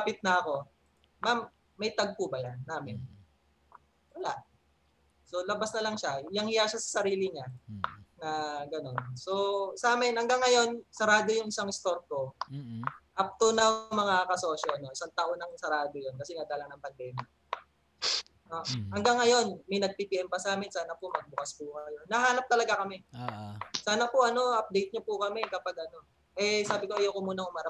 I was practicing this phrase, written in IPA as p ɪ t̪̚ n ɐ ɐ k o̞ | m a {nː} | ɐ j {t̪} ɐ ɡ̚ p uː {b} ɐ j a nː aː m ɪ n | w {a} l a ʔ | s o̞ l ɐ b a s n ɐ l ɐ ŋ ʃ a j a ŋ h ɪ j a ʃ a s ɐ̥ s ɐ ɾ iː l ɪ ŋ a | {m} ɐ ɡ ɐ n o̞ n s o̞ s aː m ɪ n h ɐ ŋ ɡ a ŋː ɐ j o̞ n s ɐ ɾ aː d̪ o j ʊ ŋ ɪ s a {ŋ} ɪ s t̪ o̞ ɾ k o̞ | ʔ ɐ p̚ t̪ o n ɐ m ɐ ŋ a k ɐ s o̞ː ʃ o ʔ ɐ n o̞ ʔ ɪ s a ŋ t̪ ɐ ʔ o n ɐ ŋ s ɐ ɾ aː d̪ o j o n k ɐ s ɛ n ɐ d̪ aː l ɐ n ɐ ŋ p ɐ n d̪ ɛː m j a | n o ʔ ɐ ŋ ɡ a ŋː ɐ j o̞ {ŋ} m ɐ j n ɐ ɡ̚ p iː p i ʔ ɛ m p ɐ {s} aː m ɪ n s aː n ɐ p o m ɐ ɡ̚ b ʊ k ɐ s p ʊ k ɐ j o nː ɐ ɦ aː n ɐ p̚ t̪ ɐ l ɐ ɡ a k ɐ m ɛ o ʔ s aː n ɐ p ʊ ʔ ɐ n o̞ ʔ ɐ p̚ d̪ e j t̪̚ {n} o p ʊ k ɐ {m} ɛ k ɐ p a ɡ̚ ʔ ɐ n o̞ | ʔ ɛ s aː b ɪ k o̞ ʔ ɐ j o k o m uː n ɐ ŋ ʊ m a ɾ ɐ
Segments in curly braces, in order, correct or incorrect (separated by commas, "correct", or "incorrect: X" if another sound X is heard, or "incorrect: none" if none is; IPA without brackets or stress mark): incorrect: mː, correct, correct, incorrect: ɐ, incorrect: n, correct, incorrect: n, correct, incorrect: ɲ, correct